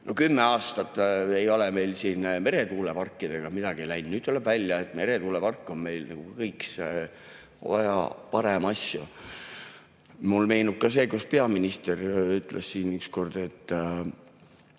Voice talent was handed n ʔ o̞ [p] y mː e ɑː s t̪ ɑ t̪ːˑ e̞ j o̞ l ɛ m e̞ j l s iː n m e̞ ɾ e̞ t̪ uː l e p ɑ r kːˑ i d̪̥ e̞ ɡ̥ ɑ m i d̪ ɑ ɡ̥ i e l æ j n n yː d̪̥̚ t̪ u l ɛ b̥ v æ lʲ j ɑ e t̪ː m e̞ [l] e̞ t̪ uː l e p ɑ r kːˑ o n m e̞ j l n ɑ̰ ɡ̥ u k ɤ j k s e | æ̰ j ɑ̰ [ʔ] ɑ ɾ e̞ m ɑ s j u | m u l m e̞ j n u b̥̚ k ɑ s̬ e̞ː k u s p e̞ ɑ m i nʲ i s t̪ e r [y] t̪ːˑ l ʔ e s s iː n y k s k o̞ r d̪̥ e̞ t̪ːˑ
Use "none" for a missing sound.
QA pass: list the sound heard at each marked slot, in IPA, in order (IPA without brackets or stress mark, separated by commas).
k, ɾ, p, y